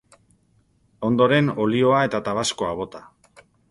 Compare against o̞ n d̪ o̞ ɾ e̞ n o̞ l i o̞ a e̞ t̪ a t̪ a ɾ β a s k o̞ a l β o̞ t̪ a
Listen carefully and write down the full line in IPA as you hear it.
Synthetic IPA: o̞ n d̪ o̞ ɾ e̞ n o̞ l i o̞ a e̞ t̪ a t̪ a β a s k o̞ a β o̞ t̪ a